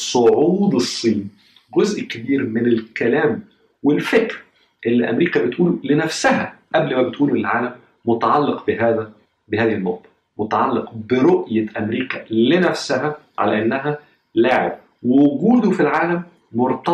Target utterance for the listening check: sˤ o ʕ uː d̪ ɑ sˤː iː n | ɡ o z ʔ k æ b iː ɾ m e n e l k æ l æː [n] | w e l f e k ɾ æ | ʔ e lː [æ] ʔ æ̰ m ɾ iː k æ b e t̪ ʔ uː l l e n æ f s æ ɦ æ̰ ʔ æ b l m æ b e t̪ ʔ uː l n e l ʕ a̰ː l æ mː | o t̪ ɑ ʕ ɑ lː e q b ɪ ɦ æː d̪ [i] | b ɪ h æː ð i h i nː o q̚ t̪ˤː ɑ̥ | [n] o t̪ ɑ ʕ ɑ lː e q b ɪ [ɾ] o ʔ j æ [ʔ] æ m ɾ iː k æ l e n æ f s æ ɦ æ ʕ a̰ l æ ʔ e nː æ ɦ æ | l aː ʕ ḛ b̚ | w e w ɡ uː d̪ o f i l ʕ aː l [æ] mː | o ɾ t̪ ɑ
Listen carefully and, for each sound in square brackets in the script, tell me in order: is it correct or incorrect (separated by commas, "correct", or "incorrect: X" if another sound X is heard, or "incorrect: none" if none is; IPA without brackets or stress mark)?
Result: incorrect: m, incorrect: i, incorrect: æ, incorrect: m, correct, correct, correct